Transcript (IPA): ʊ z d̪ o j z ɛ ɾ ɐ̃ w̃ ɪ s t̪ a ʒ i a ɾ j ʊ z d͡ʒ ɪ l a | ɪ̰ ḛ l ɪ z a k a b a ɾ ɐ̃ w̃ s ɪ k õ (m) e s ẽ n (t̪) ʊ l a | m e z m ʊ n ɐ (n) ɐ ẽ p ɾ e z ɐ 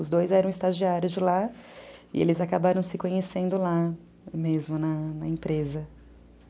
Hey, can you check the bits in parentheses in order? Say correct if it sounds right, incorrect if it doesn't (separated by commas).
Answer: incorrect, incorrect, correct